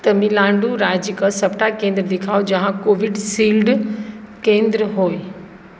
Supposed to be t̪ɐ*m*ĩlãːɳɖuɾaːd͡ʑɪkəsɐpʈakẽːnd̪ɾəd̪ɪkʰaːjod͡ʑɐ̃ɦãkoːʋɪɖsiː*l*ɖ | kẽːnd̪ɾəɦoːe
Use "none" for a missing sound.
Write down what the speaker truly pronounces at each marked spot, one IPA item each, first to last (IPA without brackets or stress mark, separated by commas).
m, l